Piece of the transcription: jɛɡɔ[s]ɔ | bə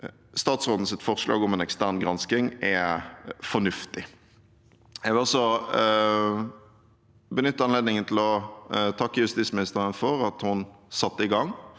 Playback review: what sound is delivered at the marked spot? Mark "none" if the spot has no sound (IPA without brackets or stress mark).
s